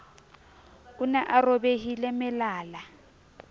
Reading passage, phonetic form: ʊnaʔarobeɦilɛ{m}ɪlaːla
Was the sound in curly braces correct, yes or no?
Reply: yes